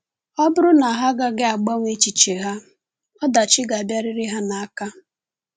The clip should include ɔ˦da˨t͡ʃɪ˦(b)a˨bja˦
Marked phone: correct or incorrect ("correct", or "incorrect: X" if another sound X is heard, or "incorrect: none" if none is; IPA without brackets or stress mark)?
incorrect: ɡ